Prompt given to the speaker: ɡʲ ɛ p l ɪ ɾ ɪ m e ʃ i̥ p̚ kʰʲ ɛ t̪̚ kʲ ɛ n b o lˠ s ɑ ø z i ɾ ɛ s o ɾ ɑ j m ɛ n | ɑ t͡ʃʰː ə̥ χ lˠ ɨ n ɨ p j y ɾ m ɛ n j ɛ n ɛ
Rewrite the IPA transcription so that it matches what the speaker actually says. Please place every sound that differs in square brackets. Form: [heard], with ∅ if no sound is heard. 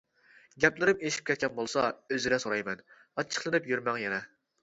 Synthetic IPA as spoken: ɡʲ ɛ p l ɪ ɾ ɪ m e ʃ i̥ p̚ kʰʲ ɛ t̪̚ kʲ ɛ n b o lˠ s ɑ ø z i ɾ ɛ s o ɾ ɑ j m ɛ n | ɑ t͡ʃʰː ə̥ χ lˠ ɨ n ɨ p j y ɾ m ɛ [ŋ] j ɛ n ɛ